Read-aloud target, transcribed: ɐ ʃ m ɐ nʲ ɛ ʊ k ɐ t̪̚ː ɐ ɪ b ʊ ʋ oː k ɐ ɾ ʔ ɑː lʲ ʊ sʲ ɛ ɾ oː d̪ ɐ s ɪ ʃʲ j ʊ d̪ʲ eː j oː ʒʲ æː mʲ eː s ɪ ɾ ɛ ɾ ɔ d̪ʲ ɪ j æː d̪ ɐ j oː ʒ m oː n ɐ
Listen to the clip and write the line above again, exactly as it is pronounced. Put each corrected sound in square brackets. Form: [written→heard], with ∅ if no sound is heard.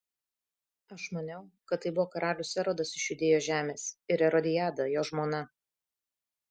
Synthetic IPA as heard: ɐ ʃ m ɐ nʲ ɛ ʊ k ɐ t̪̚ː ɐ ɪ b ʊ ʋ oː k ɐ ɾ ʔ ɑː lʲ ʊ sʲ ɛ ɾ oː d̪ ɐ s ɪ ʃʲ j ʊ d̪ʲ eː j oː ʒʲ æː mʲ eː s ɪ ɾ ɛ ɾ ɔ d̪ʲ ɪ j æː d̪ ɐ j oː ʒ m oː n ɐ